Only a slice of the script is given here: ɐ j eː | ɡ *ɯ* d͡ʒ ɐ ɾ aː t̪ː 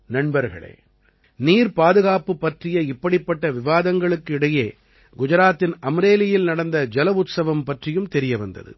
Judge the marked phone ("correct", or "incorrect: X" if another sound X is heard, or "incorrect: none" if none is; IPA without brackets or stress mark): incorrect: ʊ